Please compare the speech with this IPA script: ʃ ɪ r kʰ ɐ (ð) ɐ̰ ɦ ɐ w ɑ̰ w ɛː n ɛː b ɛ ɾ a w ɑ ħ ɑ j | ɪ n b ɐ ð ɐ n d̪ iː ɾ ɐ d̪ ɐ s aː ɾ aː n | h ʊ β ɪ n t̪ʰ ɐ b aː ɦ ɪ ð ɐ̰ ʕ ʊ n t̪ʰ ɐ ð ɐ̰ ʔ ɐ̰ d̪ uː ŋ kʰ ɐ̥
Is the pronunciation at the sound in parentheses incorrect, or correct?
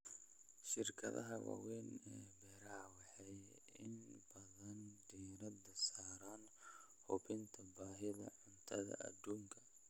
correct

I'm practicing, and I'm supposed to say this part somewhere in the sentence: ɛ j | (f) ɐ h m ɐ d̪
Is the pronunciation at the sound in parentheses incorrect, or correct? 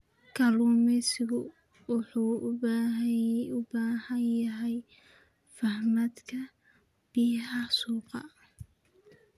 correct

